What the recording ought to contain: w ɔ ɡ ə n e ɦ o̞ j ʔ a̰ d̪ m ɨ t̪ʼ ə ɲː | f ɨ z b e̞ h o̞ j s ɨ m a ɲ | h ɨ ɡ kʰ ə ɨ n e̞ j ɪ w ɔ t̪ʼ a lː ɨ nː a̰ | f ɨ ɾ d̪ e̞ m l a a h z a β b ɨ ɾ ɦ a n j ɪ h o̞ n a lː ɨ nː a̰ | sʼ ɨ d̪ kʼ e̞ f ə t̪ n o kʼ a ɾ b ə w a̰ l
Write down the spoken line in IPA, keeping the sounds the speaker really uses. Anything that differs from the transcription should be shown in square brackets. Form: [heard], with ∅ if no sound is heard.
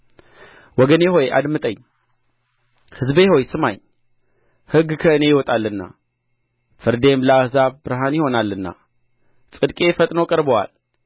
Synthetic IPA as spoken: w ɔ ɡ ə n e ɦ o̞ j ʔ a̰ d̪ m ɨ t̪ʼ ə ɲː | [h] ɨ z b e̞ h o̞ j s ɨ m a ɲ | h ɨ ɡ kʰ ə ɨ n e̞ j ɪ w ɔ t̪ʼ a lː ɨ nː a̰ | f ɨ ɾ d̪ e̞ m l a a h z a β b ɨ ɾ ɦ a n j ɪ h o̞ n a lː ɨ nː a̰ | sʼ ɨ d̪ kʼ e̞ f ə [t̪ʼ] n o kʼ [ə] ɾ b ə w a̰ l